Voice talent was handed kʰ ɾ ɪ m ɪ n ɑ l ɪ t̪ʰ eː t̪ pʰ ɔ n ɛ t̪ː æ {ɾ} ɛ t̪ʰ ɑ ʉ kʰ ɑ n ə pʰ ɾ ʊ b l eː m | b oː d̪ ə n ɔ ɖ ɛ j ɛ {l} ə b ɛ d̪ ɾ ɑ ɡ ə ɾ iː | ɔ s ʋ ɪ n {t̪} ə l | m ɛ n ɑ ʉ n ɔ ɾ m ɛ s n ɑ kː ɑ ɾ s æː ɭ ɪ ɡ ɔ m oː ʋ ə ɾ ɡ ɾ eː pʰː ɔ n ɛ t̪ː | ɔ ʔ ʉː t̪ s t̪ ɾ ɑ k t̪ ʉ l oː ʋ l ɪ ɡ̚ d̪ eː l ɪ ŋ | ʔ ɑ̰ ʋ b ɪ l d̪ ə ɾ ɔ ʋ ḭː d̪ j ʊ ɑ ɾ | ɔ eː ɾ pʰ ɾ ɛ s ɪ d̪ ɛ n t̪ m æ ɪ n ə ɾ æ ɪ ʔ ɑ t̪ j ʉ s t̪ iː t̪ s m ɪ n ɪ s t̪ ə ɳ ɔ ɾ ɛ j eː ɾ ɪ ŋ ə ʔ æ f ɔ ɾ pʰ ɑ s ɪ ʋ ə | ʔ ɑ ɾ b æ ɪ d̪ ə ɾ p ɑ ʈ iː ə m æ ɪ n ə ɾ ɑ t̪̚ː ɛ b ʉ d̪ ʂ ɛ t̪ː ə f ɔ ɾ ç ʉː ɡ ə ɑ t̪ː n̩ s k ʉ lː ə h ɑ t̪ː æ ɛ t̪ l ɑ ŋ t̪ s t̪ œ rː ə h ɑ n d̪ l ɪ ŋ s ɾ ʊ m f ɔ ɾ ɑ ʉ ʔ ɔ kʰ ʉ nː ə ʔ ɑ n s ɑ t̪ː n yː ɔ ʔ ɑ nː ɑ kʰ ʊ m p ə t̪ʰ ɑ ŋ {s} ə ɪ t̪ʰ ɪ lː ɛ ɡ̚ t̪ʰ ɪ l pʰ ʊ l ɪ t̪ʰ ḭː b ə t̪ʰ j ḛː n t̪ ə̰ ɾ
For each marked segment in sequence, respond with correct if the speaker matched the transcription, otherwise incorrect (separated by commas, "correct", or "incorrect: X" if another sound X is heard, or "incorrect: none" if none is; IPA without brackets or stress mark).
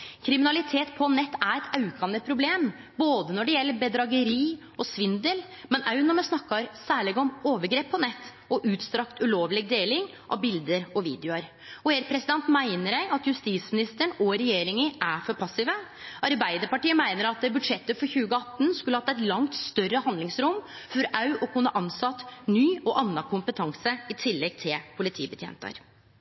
correct, incorrect: lː, incorrect: d̪, correct